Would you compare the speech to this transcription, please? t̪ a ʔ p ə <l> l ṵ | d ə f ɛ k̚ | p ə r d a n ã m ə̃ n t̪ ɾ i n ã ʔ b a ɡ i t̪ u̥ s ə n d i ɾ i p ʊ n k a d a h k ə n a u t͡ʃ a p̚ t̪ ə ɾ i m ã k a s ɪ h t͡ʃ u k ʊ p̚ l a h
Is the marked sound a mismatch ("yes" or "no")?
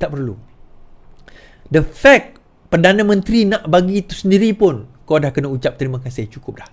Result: yes